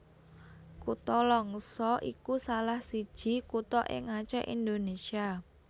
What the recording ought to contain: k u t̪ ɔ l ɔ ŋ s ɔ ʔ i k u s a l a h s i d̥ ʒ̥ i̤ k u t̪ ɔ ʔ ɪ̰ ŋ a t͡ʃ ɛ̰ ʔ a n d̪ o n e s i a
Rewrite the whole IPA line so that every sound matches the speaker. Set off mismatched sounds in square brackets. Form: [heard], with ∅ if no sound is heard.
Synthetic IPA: k u t̪ ɔ l ɔ ŋ s ɔ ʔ i k u s a l a h s i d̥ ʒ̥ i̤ k u t̪ ɔ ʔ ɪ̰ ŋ a t͡ʃ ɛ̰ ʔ [i] n d̪ o n e s i a